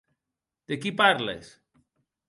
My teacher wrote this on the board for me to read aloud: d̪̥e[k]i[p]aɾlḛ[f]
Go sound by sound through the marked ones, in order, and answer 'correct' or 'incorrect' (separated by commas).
correct, correct, incorrect